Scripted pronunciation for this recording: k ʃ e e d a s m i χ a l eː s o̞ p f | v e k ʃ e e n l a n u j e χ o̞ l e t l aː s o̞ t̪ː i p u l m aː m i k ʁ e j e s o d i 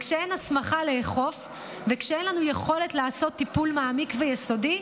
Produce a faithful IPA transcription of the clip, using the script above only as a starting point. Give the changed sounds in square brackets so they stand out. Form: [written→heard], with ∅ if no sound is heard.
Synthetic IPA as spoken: k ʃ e e [d→n] a s m [i→a] χ a l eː [s→χ] o̞ [p→∅] f | v e k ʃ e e n l a n u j e χ o̞ l e t l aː s o̞ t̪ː i p u l m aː m i k [ʁ→v] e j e s o d i